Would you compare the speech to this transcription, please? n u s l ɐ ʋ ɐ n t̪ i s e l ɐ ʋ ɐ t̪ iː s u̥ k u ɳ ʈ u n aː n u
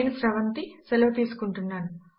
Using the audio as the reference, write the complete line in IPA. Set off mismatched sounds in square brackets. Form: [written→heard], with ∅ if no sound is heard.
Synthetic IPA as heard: n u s [l→ɾ] ɐ ʋ ɐ n t̪ i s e l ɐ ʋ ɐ t̪ iː s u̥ k u ɳ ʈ u [n→nː] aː n u